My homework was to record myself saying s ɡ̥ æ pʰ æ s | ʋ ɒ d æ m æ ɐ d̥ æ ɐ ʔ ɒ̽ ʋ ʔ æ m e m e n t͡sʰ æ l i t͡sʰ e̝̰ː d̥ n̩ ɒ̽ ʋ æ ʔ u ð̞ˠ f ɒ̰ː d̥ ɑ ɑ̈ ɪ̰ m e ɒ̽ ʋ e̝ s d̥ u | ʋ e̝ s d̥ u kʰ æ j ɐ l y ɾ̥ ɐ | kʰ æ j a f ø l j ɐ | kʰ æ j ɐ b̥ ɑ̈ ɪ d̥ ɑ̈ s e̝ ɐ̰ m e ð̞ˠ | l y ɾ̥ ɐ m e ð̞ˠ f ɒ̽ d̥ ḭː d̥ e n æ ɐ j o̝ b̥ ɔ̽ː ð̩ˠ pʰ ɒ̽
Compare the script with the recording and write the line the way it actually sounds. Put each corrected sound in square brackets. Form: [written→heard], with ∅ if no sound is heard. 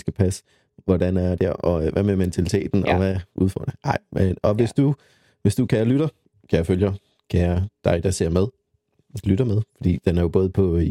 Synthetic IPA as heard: s ɡ̥ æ pʰ æ s | ʋ ɒ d æ [m→n] æ ɐ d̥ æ ɐ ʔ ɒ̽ ʋ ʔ æ m e m e n t͡sʰ æ l i t͡sʰ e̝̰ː d̥ n̩ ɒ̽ ʋ æ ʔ u ð̞ˠ f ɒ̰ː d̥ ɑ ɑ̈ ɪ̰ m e ɒ̽ ʋ e̝ s d̥ u | ʋ e̝ s d̥ u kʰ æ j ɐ l y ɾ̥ ɐ | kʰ æ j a f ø l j ɐ | kʰ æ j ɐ [b̥→d̥] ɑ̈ ɪ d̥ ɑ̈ s e̝ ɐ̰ m e ð̞ˠ | l y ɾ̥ ɐ m e ð̞ˠ f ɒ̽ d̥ ḭː d̥ e n æ ɐ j o̝ b̥ ɔ̽ː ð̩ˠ pʰ ɒ̽